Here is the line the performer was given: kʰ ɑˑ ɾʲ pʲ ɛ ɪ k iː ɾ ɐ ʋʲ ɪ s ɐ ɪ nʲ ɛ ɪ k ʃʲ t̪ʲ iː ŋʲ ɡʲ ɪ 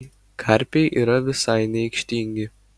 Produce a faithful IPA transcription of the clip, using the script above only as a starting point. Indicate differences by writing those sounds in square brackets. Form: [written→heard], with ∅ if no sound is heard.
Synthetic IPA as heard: kʰ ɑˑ ɾʲ pʲ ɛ ɪ [k→ʔ] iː ɾ ɐ ʋʲ ɪ s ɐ ɪ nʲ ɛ ɪ k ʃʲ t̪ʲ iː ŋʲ ɡʲ ɪ